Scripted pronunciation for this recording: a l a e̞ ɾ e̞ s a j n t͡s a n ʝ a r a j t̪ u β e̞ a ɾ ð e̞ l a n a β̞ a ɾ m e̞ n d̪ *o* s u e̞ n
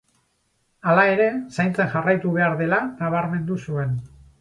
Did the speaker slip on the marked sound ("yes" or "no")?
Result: yes